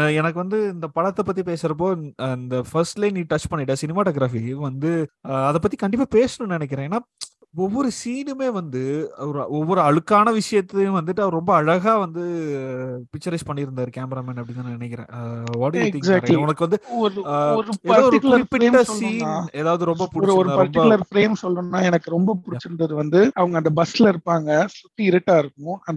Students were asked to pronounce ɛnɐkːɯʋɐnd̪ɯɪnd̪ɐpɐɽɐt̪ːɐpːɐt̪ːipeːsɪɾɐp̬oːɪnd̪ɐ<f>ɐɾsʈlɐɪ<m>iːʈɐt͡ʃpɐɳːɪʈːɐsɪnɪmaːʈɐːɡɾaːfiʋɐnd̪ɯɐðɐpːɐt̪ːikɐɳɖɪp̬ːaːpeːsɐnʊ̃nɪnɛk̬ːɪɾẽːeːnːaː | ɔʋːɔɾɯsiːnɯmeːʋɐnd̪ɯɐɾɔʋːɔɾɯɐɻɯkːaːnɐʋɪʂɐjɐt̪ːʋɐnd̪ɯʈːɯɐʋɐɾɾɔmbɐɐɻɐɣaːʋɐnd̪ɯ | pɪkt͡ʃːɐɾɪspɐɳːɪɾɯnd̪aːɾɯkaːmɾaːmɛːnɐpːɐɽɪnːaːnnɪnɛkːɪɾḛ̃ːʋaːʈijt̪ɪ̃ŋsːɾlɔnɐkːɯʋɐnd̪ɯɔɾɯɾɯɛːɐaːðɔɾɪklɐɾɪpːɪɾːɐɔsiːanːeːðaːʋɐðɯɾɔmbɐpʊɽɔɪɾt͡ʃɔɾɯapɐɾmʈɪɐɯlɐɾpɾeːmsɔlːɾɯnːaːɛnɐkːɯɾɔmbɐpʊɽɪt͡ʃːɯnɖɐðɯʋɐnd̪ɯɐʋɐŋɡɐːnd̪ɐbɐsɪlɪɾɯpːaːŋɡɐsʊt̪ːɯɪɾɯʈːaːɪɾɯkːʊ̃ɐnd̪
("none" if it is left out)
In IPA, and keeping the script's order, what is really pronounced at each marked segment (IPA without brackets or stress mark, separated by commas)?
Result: f, n